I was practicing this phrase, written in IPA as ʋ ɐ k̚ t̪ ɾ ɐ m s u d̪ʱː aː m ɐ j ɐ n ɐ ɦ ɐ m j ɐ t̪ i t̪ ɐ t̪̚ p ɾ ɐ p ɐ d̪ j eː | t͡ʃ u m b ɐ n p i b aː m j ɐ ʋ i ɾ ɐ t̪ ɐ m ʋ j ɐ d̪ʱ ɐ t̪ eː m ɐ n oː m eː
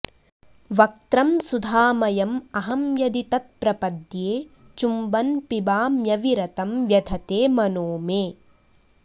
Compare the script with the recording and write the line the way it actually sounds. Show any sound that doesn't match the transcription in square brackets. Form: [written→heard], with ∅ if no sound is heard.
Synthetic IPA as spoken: ʋ ɐ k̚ t̪ ɾ ɐ m s u [d̪ʱː→d̪ʱ] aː m ɐ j ɐ [n→m] ɐ ɦ ɐ m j ɐ [t̪→d̪] i t̪ ɐ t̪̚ p ɾ ɐ p ɐ d̪ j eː | t͡ʃ u m b ɐ n p i b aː m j ɐ ʋ i ɾ ɐ t̪ ɐ m ʋ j ɐ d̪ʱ ɐ t̪ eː m ɐ n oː m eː